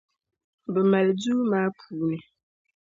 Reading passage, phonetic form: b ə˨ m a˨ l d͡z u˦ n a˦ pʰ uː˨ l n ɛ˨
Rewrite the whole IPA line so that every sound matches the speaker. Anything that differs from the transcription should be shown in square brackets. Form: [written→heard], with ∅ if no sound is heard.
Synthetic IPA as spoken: b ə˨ m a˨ l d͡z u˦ [n→m] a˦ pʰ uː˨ [l→∅] n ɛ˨